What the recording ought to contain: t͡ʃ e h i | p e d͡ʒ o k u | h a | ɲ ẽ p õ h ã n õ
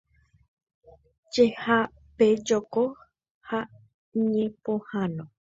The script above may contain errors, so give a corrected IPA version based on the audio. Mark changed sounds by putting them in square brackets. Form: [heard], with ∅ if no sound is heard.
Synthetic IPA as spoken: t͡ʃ e h [a] | p e d͡ʒ o k [o] | h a | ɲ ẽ p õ h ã n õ